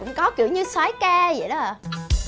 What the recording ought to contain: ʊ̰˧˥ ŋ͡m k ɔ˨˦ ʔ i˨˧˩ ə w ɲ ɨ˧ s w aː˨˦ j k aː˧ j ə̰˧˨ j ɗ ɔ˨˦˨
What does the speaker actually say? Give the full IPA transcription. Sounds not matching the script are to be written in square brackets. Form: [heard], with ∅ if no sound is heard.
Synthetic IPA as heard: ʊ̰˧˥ ŋ͡m k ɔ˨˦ [k] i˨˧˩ ə w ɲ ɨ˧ s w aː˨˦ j k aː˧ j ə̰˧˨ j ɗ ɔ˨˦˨